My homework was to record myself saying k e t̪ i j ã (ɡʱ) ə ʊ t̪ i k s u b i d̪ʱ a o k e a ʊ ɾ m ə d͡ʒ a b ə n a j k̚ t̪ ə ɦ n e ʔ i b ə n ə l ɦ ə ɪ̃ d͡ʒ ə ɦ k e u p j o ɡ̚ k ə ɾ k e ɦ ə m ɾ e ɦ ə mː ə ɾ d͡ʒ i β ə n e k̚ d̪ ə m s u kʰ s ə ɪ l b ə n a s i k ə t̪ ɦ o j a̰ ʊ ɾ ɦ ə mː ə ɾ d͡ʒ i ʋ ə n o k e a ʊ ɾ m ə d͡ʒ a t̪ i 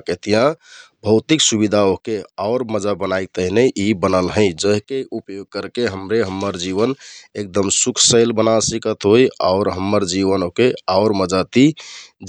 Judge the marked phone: incorrect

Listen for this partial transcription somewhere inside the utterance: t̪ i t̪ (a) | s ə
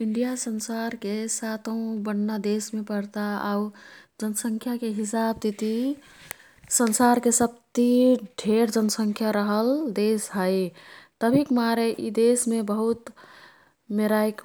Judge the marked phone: incorrect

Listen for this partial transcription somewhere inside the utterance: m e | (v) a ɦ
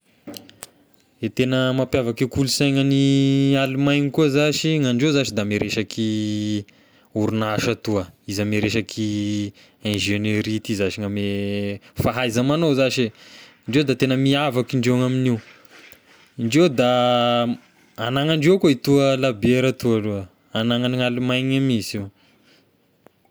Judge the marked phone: incorrect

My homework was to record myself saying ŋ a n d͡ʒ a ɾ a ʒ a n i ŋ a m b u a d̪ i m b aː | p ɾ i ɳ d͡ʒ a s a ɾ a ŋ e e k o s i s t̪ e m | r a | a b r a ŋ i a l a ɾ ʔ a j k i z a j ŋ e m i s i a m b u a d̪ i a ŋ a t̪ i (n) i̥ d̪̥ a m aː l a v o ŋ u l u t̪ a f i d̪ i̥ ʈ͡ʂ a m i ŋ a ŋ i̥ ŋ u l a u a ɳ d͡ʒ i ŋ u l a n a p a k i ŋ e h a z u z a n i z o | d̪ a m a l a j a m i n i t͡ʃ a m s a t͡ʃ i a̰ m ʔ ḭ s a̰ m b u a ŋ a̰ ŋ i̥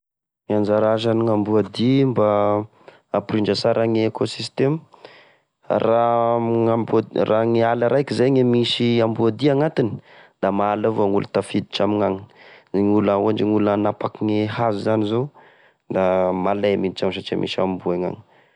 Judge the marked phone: correct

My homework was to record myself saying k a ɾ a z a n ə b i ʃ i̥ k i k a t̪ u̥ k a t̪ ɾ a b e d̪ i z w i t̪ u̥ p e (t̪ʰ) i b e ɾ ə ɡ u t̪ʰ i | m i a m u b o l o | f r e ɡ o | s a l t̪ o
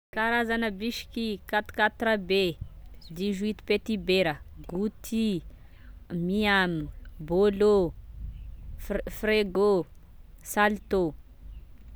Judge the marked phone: incorrect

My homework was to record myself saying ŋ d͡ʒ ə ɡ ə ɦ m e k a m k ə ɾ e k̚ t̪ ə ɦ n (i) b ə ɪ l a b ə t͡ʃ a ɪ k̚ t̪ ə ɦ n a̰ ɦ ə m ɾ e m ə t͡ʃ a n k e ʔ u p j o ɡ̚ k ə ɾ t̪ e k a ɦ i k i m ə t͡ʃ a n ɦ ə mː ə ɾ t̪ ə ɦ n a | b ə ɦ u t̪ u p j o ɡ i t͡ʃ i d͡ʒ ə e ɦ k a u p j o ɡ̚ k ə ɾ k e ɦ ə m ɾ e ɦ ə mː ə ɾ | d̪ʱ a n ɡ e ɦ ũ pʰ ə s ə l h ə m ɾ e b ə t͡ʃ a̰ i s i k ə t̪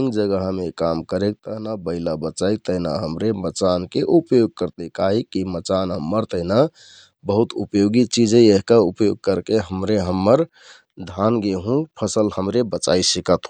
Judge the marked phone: incorrect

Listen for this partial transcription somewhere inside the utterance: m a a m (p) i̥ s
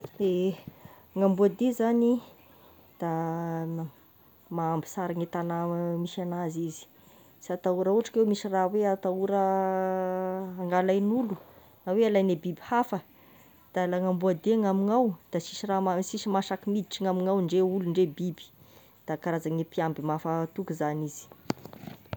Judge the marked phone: incorrect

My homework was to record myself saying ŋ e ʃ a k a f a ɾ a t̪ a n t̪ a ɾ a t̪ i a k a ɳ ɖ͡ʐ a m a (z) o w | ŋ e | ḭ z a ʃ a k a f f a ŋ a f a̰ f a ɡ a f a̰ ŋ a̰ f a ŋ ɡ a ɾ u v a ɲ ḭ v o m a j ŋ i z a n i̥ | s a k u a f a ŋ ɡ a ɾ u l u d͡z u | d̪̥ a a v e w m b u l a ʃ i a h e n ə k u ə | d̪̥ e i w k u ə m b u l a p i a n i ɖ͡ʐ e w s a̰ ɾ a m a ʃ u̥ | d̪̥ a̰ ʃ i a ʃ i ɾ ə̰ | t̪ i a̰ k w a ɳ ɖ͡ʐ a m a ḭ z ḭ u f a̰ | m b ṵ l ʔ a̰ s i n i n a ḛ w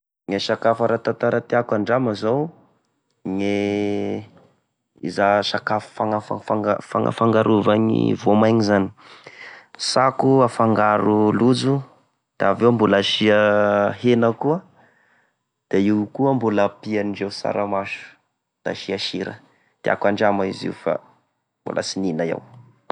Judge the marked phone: correct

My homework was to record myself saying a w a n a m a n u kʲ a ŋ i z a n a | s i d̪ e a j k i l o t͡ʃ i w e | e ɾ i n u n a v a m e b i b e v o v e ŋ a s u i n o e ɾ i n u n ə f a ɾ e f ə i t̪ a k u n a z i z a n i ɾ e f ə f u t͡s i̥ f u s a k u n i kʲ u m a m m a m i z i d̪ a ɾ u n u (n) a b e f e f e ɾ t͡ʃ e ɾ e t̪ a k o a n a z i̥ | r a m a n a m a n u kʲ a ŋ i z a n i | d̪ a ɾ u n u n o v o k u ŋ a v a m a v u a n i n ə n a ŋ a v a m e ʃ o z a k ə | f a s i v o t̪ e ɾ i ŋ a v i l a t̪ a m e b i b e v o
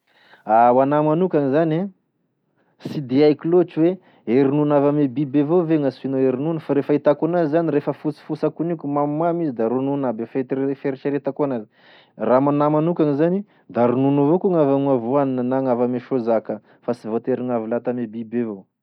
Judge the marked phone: correct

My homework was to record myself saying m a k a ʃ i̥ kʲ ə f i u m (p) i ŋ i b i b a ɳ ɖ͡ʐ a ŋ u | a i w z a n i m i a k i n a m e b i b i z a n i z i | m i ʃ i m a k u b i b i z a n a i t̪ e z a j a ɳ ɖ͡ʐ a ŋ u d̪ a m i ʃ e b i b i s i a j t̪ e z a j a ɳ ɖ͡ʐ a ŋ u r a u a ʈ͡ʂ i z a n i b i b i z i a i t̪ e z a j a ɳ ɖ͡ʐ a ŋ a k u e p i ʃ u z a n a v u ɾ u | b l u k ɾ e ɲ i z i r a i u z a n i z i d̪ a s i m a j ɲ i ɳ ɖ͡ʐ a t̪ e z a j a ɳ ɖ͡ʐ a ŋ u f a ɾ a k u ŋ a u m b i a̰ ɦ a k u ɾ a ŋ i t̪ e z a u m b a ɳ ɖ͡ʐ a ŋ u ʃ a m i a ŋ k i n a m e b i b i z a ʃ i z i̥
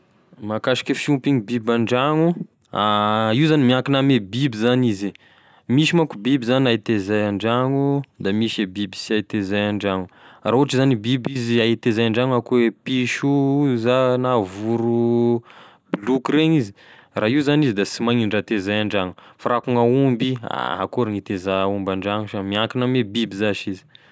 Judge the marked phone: correct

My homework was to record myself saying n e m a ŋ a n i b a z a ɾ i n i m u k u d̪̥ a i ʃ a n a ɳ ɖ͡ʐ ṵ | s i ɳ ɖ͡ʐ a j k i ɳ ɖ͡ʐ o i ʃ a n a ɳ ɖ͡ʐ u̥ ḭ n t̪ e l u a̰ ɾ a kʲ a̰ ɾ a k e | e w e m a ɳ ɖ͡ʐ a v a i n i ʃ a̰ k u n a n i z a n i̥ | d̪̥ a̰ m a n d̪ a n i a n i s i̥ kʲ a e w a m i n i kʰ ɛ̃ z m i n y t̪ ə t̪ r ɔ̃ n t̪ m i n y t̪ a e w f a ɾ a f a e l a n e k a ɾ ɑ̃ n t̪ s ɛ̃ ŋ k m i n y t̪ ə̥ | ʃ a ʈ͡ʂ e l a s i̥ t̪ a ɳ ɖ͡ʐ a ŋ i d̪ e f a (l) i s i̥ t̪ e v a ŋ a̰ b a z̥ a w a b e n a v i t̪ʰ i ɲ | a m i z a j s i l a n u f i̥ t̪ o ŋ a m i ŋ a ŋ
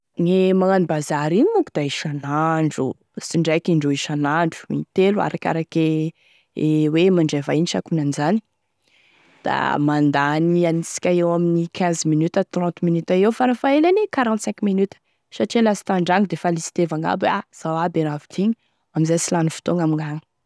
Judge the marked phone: correct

